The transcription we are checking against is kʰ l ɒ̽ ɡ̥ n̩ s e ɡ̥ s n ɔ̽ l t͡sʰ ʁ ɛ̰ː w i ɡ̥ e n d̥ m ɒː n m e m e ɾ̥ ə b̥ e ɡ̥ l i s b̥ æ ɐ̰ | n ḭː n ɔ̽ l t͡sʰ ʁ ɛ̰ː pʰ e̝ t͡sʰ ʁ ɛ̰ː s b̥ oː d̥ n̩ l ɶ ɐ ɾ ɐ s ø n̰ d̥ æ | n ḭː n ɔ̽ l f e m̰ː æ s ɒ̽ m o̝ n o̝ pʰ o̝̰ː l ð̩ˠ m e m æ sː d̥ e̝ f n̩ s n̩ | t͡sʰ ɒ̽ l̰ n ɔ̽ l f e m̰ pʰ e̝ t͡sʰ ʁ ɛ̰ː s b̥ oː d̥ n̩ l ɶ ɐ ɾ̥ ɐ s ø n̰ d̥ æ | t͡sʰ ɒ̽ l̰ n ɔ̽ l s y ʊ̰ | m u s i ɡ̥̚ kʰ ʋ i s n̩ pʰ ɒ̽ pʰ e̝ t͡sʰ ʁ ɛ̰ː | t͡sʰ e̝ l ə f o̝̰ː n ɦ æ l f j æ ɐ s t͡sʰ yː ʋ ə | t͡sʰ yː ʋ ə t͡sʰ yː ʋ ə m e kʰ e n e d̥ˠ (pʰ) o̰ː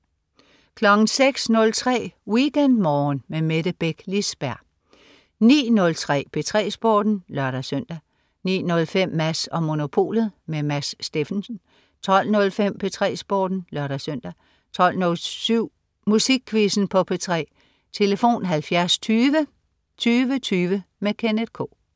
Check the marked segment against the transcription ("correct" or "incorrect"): incorrect